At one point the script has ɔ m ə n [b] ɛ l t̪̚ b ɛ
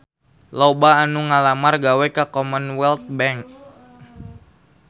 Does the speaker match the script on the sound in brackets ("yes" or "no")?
no